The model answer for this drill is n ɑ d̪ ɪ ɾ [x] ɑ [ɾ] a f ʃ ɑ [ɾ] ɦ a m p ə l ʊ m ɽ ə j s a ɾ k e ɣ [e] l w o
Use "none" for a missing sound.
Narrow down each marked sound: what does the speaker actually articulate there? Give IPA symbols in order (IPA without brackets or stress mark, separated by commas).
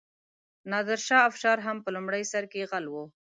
ʃ, none, ɾ, a